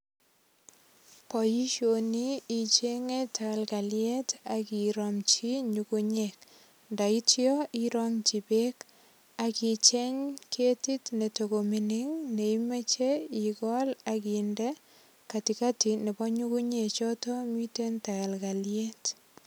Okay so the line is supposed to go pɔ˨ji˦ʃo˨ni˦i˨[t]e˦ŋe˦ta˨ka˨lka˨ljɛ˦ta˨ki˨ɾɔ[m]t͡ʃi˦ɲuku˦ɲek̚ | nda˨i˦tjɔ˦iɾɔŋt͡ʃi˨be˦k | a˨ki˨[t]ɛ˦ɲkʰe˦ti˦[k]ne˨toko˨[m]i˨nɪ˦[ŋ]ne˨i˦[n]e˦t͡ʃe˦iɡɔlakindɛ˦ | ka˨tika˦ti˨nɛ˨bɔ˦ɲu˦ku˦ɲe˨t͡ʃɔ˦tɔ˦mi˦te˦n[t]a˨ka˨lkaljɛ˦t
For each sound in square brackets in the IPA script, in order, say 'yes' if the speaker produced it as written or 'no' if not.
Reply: no, yes, no, no, yes, yes, no, yes

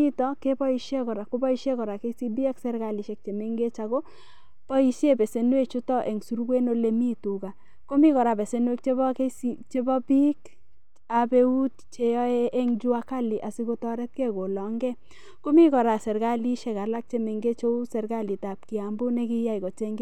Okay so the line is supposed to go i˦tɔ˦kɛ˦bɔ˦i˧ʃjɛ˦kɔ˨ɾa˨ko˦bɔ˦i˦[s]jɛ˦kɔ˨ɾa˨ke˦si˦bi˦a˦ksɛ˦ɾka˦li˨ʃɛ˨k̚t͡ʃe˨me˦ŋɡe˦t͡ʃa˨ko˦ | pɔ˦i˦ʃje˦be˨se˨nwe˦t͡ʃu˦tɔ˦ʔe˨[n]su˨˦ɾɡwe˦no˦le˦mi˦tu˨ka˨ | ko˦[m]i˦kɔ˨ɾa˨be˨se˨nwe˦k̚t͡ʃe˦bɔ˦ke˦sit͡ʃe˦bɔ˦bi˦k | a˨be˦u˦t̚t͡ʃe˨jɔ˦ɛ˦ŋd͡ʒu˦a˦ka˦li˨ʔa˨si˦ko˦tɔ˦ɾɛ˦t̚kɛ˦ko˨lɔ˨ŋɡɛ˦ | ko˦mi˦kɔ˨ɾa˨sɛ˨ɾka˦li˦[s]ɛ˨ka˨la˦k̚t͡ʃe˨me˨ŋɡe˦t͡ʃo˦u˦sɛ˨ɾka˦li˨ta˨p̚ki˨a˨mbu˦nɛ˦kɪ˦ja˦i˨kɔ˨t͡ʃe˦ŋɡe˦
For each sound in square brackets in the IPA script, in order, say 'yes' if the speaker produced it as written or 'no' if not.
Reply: no, no, yes, no

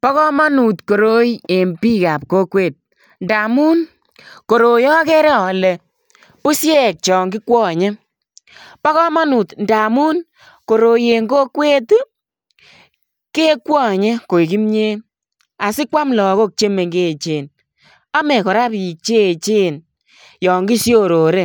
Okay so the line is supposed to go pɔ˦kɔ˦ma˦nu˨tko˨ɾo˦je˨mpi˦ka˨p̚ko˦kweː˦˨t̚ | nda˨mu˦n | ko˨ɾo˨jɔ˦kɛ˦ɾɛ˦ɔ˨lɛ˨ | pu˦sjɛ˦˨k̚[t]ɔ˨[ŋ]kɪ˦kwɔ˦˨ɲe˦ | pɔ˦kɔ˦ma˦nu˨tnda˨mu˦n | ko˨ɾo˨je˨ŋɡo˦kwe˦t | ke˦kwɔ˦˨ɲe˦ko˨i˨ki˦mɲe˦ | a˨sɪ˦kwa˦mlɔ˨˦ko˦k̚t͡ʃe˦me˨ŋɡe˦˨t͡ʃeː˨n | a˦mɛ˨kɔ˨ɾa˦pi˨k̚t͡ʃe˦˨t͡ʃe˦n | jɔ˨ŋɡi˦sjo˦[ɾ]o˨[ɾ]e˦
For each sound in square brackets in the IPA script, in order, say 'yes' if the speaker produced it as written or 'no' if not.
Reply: no, yes, yes, yes

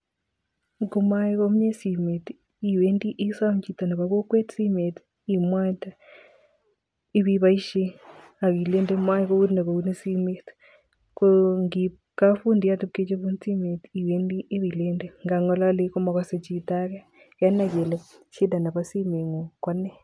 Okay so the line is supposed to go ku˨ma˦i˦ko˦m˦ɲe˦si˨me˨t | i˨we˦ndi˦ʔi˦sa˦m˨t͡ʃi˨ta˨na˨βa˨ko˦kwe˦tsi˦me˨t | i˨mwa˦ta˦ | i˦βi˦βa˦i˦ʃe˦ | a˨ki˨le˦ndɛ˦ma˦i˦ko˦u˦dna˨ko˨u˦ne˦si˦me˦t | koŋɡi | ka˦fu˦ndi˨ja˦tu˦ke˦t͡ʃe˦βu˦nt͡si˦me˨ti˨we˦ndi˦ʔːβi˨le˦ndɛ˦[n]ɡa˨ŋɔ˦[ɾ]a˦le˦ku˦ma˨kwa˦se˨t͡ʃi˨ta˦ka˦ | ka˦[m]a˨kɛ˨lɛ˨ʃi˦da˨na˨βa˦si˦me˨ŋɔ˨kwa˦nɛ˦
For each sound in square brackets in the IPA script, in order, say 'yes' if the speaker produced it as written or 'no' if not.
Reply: no, no, no

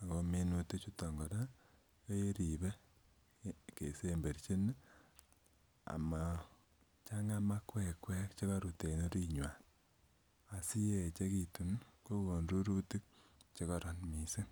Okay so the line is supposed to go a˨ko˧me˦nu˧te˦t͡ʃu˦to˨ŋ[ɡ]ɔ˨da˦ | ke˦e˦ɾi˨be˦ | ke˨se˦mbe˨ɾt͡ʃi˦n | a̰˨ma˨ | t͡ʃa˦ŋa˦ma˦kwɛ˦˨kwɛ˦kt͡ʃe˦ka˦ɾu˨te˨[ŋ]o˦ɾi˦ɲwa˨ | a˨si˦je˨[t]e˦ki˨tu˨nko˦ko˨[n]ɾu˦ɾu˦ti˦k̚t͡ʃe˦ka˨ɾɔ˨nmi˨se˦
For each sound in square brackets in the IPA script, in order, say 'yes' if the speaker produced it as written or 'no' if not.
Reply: yes, no, no, yes

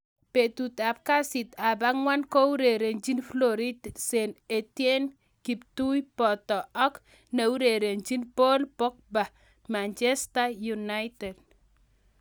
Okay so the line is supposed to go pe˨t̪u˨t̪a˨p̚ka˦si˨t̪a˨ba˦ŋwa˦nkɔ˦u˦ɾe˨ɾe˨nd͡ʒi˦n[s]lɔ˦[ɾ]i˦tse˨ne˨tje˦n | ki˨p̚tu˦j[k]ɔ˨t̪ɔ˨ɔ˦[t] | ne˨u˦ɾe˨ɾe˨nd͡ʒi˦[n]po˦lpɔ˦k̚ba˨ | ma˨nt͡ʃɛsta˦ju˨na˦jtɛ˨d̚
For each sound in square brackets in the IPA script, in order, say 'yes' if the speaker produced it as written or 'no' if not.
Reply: no, yes, no, no, yes

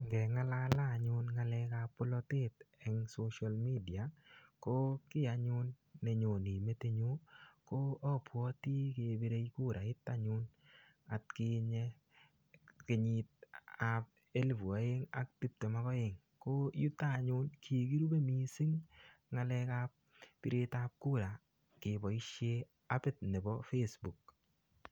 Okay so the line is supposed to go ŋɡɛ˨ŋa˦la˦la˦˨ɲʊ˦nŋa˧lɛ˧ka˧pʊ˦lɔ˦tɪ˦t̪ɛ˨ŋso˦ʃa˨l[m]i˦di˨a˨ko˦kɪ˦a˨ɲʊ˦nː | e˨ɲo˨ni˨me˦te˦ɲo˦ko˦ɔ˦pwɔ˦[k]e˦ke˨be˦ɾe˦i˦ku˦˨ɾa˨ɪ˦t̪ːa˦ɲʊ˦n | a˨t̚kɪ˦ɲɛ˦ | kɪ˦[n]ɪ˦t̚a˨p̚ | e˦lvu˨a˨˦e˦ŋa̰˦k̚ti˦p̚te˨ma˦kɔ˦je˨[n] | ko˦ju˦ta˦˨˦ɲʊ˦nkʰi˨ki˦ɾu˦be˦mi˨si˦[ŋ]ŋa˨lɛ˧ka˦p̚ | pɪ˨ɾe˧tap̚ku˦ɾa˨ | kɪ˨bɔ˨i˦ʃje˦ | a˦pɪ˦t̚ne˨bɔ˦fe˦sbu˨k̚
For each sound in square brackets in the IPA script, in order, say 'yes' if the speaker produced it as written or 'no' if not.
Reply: yes, no, no, no, yes

